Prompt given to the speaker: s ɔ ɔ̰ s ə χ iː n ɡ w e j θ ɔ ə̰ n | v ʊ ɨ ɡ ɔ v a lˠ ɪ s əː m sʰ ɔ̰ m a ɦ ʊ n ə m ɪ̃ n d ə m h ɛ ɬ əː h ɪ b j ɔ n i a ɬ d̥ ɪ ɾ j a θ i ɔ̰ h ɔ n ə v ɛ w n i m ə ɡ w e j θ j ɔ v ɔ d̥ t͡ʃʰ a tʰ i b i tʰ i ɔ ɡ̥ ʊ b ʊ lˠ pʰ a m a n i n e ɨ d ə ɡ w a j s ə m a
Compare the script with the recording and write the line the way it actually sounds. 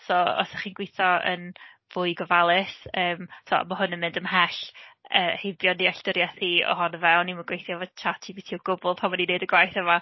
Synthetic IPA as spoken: s ɔ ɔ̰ s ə χ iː n ɡ w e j θ ɔ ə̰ n | v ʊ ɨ ɡ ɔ v a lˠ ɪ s əː m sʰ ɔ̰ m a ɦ ʊ n ə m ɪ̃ n d ə m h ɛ ɬ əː h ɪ b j ɔ n i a ɬ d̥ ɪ ɾ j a θ i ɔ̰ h ɔ n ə v ɛ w n i m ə ɡ w e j θ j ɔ v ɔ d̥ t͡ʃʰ a tʰ i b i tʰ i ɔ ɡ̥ ʊ b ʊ lˠ pʰ a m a n i n e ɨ d ə ɡ w a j θ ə m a